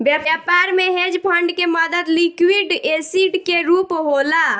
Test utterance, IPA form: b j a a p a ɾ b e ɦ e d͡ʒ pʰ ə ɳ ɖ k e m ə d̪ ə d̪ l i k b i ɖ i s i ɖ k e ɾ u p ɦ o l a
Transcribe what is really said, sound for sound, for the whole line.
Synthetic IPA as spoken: b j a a p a ɾ m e ɦ e d͡ʒ pʰ ə ɳ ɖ k e m ə d̪ ə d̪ l i k w i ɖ e s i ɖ k e ɾ u p ɦ o l a